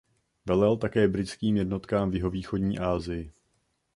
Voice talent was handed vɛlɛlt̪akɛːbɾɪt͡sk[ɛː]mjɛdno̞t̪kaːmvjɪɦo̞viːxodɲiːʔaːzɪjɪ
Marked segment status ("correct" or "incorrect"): incorrect